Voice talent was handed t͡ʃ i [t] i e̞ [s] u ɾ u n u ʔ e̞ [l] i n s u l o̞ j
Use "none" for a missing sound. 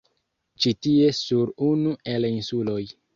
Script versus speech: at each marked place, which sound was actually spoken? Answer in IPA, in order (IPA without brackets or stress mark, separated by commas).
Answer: t, s, l